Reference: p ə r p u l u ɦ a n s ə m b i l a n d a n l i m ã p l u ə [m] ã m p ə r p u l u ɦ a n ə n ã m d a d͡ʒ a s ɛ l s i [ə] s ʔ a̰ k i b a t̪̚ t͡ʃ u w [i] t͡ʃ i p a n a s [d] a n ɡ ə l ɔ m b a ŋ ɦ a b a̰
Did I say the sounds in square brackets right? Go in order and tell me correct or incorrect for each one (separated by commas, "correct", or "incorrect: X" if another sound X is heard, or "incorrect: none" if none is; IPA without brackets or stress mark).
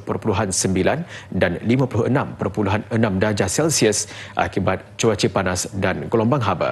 incorrect: n, correct, incorrect: a, correct